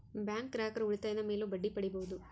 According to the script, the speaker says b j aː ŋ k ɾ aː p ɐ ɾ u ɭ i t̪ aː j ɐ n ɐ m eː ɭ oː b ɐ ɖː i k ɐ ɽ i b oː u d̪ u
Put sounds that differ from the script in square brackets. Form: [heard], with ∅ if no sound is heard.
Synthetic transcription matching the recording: b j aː ŋ k ɾ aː [k] ɐ ɾ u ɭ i t̪ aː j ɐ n ɐ m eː [l] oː b ɐ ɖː i [p] ɐ ɽ i b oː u d̪ u